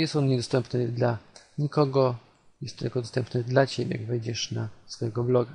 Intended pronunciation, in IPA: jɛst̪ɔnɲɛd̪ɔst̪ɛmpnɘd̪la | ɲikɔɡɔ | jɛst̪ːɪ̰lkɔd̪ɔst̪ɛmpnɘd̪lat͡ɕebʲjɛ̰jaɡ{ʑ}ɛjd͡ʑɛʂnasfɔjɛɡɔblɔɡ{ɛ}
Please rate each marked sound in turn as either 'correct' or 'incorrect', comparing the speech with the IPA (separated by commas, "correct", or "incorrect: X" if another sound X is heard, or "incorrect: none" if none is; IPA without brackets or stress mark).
incorrect: v, incorrect: a